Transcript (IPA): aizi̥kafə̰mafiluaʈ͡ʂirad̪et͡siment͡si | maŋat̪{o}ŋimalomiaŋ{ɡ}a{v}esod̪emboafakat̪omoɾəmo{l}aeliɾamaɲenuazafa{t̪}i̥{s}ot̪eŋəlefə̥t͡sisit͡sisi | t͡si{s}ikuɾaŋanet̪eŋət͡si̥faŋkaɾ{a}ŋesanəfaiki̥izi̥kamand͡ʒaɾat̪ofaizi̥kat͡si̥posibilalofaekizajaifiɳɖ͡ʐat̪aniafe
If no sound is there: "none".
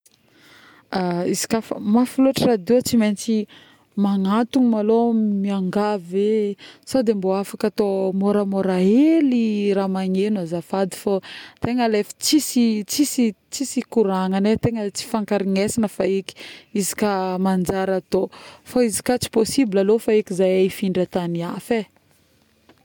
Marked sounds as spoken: u, ɡ, v, ɾ, d̪, f, s, i

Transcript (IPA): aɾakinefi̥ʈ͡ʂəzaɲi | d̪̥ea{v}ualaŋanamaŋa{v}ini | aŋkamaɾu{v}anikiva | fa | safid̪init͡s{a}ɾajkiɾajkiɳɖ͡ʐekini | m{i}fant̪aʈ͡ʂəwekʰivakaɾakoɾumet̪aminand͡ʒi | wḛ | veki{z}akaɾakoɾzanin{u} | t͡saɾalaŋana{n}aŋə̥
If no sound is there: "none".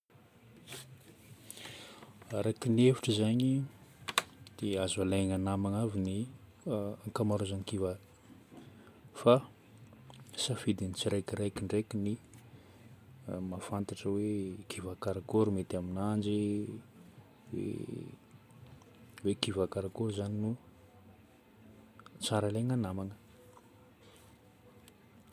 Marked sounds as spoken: z, v, z, i, a, v, u, m

